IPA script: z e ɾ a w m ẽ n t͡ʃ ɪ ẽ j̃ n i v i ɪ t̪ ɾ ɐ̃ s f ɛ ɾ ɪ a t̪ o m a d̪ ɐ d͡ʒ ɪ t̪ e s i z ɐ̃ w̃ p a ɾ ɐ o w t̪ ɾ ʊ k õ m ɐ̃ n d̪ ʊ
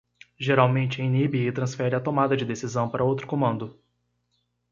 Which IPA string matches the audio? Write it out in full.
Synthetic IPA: ʒ e ɾ a w m ẽ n t͡ʃ ɪ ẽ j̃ n i b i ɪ t̪ ɾ ɐ̃ s f ɛ ɾ ɪ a t̪ o m a d̪ ɐ d͡ʒ ɪ d̪ e s i z ɐ̃ w̃ p a ɾ ɐ o w t̪ ɾ ʊ k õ m ɐ̃ n d̪ ʊ